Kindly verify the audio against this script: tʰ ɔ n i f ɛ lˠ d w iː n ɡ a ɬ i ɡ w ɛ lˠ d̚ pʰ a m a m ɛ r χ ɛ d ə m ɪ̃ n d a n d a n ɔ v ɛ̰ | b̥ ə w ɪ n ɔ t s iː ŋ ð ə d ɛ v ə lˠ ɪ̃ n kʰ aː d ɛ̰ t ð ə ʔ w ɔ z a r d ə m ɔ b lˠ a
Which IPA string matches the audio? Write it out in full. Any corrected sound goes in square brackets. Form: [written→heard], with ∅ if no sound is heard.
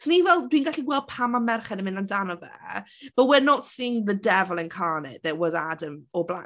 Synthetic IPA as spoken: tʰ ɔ n i [f→v] ɛ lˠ d w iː n ɡ a ɬ i ɡ w ɛ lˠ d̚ pʰ a m a m ɛ r χ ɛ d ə m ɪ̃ n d a n d a n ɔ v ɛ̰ | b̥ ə w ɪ n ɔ t s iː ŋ ð ə d ɛ v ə lˠ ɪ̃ n kʰ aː [d→n] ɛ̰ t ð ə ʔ w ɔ z a [r→∅] d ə m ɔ b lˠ a